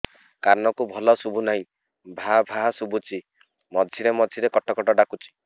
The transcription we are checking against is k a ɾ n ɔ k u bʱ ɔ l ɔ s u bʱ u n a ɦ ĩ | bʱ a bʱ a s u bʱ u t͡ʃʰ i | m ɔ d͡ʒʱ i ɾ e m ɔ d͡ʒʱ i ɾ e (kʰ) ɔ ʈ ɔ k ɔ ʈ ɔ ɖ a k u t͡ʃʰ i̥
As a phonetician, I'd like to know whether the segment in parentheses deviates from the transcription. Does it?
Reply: yes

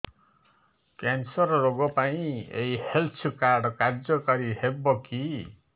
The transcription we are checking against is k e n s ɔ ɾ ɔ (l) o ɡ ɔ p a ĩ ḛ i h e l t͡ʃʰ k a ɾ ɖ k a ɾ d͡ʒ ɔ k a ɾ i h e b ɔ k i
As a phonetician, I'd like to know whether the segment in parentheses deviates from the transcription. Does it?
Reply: yes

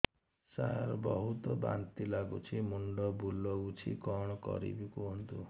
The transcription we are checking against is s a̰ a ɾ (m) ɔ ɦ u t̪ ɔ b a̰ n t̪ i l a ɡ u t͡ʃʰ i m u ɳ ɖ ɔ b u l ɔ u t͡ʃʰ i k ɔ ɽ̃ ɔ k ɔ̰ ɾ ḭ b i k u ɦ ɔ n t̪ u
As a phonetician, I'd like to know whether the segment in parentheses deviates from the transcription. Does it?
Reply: yes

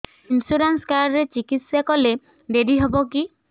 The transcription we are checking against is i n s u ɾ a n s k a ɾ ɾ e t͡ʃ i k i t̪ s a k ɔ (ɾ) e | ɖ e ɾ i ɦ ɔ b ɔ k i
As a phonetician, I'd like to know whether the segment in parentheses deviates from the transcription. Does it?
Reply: yes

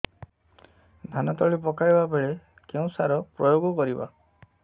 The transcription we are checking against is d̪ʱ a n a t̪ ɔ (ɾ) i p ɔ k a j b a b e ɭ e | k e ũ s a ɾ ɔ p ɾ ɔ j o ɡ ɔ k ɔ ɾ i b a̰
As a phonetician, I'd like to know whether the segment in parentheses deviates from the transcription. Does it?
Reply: yes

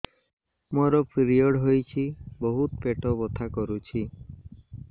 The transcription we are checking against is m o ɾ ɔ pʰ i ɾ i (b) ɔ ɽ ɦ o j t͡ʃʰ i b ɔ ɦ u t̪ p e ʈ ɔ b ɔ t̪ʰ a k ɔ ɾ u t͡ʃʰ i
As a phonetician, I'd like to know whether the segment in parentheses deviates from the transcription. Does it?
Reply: yes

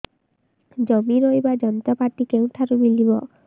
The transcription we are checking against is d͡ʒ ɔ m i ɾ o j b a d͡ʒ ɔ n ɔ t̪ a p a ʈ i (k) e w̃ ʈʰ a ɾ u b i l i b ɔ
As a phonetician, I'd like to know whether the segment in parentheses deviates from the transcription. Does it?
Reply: no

